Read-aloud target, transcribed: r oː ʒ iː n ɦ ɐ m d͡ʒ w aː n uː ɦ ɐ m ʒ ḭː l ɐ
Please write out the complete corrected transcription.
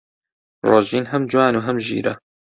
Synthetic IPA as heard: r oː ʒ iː n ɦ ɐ m d͡ʒ w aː n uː ɦ ɐ m ʒ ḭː ɾ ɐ